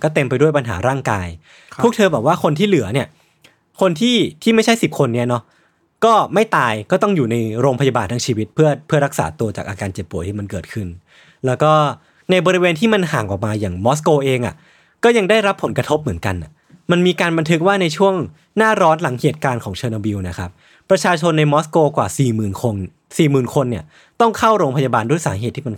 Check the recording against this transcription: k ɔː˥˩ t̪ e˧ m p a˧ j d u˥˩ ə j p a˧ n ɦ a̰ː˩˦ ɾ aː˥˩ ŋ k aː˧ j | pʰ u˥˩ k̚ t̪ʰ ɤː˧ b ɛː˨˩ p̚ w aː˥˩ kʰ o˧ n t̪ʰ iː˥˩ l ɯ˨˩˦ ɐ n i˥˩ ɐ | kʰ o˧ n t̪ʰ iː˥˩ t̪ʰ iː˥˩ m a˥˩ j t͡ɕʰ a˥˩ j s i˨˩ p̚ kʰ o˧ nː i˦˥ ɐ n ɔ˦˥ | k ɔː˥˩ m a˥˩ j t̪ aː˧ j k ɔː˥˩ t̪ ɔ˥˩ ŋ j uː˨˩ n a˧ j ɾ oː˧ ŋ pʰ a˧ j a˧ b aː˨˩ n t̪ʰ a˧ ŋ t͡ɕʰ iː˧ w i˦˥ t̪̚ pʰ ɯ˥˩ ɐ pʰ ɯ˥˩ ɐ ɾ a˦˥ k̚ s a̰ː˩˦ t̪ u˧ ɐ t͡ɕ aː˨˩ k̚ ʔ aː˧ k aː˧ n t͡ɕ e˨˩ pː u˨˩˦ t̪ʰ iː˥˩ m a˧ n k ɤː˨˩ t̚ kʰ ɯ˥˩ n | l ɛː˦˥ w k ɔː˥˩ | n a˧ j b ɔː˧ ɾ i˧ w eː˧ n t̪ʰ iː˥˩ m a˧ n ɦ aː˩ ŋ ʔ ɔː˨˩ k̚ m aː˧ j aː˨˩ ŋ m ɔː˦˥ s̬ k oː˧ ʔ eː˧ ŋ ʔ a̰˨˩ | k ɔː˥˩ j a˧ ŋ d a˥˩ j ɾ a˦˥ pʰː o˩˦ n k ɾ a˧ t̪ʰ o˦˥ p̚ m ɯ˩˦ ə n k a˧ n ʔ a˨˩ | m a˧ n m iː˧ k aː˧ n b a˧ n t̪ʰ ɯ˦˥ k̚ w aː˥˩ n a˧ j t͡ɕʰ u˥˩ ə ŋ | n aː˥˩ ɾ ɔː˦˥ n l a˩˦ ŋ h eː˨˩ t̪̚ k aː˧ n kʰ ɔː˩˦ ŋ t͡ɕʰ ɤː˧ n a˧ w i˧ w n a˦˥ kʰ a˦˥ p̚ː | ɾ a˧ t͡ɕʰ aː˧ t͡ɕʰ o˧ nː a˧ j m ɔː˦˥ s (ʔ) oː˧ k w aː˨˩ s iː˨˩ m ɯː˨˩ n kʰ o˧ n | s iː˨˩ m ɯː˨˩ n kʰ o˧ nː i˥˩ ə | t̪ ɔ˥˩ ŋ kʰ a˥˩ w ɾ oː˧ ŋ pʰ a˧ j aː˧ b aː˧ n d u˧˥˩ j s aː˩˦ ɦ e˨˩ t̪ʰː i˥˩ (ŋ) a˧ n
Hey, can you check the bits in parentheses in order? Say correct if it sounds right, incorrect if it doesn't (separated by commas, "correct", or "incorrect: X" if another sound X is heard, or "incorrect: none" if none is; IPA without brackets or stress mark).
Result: incorrect: k, incorrect: m